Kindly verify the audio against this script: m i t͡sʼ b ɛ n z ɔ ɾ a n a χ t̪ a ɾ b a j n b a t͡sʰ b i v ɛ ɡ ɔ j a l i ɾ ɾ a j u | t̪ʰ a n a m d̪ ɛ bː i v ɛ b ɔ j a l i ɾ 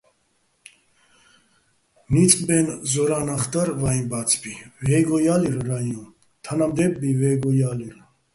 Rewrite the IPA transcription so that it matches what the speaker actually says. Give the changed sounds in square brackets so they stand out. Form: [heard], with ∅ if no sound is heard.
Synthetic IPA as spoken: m i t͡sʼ b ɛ n z ɔ ɾ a n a χ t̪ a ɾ [v] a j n b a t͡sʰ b i v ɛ ɡ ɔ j a l i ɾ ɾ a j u | t̪ʰ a n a m d̪ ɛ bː i v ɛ [ɡ] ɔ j a l i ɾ

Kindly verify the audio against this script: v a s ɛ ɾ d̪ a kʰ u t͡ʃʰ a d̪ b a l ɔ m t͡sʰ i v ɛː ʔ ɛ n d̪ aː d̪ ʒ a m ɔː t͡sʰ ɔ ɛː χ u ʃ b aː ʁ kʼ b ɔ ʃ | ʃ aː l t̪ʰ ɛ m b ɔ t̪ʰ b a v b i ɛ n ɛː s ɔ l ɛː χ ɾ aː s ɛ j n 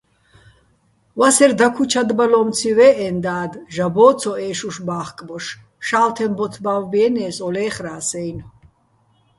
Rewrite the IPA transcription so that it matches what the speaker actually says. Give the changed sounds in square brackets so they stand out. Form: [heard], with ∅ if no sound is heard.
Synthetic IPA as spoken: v a s ɛ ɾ d̪ a kʰ u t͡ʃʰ a d̪ b a l ɔ m t͡sʰ i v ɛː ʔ ɛ n d̪ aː d̪ ʒ a [b] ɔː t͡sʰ ɔ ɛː [ʃ] u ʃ b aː [χ] kʼ b ɔ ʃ | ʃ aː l t̪ʰ ɛ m b ɔ t̪ʰ b a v b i ɛ n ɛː s ɔ l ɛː χ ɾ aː s ɛ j n

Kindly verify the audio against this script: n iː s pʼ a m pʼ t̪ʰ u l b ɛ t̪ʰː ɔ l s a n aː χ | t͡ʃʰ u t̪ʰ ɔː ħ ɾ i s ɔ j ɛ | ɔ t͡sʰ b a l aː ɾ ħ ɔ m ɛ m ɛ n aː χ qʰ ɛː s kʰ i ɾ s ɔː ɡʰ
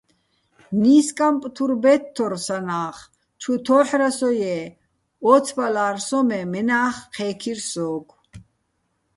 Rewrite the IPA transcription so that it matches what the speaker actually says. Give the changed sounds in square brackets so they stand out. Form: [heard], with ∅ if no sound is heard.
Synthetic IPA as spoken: n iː s [kʼ] a m pʼ t̪ʰ u [ɾ] b ɛ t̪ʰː ɔ [ɾ] s a n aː χ | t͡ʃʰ u t̪ʰ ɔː ħ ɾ [a] s ɔ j ɛ | ɔ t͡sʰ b a l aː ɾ [s] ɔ m ɛ m ɛ n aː χ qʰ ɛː [∅] kʰ i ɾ s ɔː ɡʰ

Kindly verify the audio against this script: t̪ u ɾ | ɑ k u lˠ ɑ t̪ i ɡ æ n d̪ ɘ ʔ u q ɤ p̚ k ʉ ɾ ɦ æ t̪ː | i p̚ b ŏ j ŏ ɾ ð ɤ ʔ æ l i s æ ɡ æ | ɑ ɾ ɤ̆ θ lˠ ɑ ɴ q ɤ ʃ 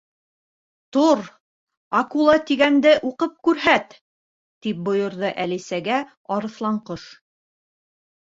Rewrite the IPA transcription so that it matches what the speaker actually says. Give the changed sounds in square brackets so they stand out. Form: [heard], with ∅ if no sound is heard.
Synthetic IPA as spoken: t̪ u ɾ | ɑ k u lˠ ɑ t̪ i ɡ æ n d̪ ɘ ʔ u q ɤ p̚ k ʉ ɾ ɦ æ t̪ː | i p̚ b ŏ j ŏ ɾ ð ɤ ʔ æ l i s æ ɡ æ | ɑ ɾ ɤ̆ θ lˠ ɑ ɴ q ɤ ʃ

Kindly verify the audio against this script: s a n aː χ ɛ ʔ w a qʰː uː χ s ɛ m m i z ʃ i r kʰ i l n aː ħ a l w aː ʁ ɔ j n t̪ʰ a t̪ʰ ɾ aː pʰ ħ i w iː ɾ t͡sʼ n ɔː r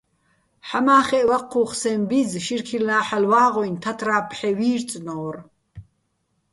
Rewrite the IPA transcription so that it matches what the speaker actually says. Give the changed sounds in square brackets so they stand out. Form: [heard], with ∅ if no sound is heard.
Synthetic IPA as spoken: [ħ] a [m] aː χ ɛ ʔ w a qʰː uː χ s ɛ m [b] i z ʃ i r kʰ i l n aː ħ a l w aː ʁ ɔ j n t̪ʰ a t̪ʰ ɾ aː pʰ ħ [ɛ] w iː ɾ t͡sʼ n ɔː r

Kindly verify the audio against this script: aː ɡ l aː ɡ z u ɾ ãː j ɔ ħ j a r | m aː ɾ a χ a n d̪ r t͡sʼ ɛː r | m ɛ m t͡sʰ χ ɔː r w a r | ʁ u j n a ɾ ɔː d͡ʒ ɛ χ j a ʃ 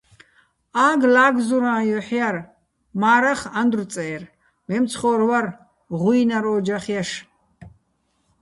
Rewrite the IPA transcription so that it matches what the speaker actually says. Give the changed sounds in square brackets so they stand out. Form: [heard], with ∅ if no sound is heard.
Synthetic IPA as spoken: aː ɡ l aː ɡ z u ɾ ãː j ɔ ħ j a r | m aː ɾ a χ a n d̪ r t͡sʼ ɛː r | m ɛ m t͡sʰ χ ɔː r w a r | ʁ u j n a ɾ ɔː d͡ʒ [a] χ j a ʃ

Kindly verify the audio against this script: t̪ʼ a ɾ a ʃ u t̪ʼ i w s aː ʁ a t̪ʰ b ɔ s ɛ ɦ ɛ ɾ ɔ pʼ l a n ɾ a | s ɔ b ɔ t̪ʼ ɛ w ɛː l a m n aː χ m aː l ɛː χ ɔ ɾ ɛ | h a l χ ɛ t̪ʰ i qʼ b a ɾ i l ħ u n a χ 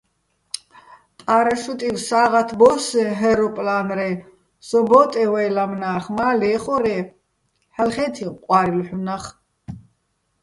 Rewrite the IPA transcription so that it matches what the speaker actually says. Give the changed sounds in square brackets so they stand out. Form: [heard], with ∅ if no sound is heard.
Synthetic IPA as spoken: t̪ʼ a ɾ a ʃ u t̪ʼ i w s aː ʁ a t̪ʰ b ɔ s ɛ ɦ ɛ ɾ ɔ pʼ l a n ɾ [ɛ] | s ɔ b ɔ t̪ʼ ɛ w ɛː l a m n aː χ m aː l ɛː χ ɔ ɾ ɛ | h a l χ ɛ t̪ʰ i qʼ [w] a ɾ i l ħ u n a χ

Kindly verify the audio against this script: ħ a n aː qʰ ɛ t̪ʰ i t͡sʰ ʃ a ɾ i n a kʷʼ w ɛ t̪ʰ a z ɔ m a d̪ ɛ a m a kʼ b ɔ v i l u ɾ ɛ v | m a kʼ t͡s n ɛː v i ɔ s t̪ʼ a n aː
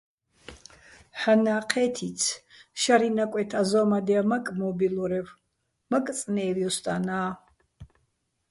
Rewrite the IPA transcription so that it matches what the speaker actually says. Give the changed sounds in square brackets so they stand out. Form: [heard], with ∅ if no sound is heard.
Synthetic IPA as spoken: ħ a n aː qʰ ɛ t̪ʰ i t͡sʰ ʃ a ɾ i n a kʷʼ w ɛ t̪ʰ a z ɔ m a d̪ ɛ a m a kʼ [m] ɔ [b] i l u ɾ ɛ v | m a kʼ [t͡sʼ] n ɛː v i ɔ s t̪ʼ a n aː

